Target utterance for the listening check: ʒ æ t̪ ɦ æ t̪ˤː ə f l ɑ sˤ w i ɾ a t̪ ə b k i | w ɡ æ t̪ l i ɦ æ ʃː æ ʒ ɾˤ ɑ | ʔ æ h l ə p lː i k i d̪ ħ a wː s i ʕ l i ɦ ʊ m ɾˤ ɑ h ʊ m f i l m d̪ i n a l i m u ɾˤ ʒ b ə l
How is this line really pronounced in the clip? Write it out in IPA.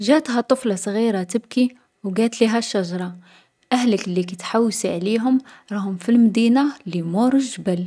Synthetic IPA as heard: ʒ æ t̪ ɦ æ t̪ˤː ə f l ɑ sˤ ɣ i ɾ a t̪ ə b k i | w ɡ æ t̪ l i ɦ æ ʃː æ ʒ ɾˤ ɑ | ʔ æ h l ə k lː i k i t̪ ħ a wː s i ʕ l i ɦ ʊ m ɾˤ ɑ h ʊ m f i l m d̪ i n a l i m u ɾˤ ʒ b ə l